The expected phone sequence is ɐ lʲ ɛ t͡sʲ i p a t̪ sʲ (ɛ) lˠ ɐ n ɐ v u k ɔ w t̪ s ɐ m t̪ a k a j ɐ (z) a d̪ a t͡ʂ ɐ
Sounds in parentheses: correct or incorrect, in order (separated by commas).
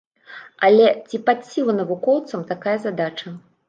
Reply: incorrect, correct